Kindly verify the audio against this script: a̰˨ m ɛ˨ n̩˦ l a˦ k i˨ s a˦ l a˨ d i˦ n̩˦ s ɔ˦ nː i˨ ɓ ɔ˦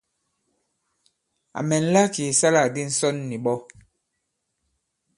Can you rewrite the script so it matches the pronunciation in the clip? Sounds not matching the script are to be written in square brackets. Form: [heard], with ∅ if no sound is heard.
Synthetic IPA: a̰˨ m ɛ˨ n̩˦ l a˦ k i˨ s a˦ l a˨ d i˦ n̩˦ s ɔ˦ nː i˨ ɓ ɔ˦